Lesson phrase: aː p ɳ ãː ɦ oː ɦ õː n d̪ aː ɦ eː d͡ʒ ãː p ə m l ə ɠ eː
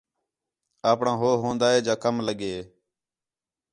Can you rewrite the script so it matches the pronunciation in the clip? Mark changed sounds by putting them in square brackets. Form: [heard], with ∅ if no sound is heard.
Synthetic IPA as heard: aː p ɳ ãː ɦ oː ɦ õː n d̪ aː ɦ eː d͡ʒ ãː [k] ə m l ə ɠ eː